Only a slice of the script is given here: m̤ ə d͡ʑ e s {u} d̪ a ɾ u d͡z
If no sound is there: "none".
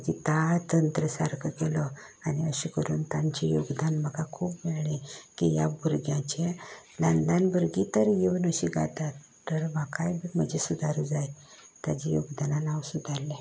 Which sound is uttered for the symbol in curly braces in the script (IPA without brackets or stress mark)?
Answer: u